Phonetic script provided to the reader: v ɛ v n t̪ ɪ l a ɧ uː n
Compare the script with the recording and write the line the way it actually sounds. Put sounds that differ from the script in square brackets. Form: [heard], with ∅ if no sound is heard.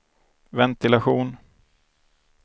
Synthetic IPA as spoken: v ɛ [∅] n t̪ ɪ l a ɧ uː n